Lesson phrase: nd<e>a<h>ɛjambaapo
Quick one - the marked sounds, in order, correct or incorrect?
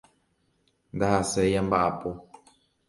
incorrect, incorrect

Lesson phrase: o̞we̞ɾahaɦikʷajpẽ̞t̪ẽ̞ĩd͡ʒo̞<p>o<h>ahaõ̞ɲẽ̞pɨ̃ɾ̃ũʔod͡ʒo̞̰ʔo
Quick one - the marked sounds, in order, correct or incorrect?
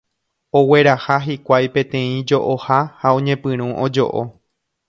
incorrect, correct

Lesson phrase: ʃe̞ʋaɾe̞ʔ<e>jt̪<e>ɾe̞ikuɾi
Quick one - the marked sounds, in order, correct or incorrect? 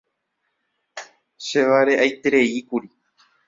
incorrect, correct

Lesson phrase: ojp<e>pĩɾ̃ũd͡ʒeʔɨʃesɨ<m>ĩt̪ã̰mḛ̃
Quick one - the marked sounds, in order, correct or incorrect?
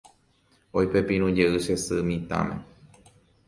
correct, correct

